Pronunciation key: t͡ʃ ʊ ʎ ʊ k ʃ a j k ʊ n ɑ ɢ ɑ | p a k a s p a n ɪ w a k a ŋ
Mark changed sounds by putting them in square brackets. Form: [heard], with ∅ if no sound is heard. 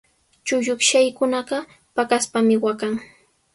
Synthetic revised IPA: t͡ʃ ʊ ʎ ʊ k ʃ a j k ʊ n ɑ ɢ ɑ | p a k a s p a [m] ɪ w a k a ŋ

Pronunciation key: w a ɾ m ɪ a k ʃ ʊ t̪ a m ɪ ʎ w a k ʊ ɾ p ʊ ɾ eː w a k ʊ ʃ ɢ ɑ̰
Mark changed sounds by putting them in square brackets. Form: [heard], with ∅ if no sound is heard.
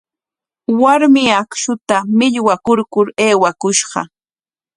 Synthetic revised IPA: w a ɾ m ɪ a k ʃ ʊ t̪ a m ɪ ʎ w a k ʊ ɾ [k] ʊ ɾ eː w a k ʊ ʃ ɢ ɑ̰

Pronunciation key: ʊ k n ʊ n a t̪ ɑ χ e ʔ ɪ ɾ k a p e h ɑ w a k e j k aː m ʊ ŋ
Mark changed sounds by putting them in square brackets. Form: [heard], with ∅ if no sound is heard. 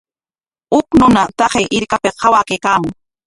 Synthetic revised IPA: ʊ k n ʊ n a t̪ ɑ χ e ʔ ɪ ɾ k a p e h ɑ w a k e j k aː m ʊ ŋ

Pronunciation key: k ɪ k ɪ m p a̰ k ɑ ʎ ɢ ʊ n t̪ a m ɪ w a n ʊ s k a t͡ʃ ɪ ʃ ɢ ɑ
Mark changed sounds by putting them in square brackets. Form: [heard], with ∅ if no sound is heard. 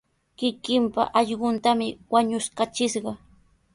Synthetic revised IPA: k ɪ k ɪ m p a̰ [ʔ] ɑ ʎ ɢ ʊ n t̪ a m ɪ w a [ɲ] ʊ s k a t͡ʃ ɪ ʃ ɢ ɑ

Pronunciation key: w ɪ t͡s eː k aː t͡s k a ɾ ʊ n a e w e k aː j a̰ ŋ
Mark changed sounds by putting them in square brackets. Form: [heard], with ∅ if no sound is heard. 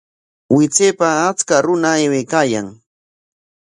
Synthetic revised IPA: w ɪ t͡s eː [p] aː t͡s k a ɾ ʊ n a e w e k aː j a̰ ŋ

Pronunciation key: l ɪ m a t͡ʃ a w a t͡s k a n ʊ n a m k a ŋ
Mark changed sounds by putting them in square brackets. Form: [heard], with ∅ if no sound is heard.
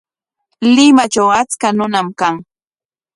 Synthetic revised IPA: l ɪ m a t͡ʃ a w a t͡s k a n ʊ n a m k a ŋ

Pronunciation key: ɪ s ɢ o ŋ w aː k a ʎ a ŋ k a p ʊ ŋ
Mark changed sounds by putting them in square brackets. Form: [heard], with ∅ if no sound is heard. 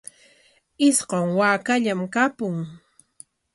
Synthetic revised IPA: ɪ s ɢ o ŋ w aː k a ʎ a [m] k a p ʊ ŋ

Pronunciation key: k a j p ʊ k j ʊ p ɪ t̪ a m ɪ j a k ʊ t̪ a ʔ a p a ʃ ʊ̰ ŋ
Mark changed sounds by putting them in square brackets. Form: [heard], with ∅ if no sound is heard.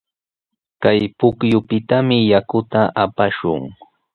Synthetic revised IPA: k a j p ʊ k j ʊ p ɪ t̪ a m ɪ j a k ʊ t̪ a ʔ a p a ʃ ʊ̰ ŋ

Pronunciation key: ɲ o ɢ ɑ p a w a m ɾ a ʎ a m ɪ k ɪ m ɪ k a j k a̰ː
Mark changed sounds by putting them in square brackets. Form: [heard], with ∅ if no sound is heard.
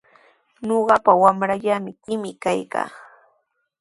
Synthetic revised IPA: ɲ o ɢ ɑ p a w a m ɾ a ʎ a m ɪ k ɪ m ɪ k a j k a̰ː

